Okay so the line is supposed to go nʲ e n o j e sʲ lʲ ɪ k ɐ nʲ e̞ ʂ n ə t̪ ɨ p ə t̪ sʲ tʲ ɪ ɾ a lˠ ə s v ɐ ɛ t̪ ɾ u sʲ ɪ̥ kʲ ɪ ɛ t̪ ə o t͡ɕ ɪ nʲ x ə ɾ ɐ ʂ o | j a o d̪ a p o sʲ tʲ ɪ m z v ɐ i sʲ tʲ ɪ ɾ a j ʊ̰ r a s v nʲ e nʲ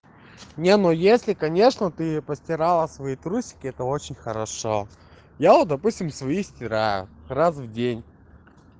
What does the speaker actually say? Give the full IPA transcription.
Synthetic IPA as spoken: nʲ e n o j e sʲ lʲ ɪ k ɐ nʲ e̞ ʂ n ə t̪ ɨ p ə sʲ tʲ ɪ ɾ a lˠ ə s v ɐ i t̪ ɾ u sʲ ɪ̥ kʲ ɪ ɛ t̪ ə o t͡ɕ ɪ nʲ x ə ɾ ɐ ʂ o | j a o d̪ ɐ p u sʲ tʲ ɪ m s v ɐ i sʲ tʲ ɪ ɾ a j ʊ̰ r a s v dʲ e nʲ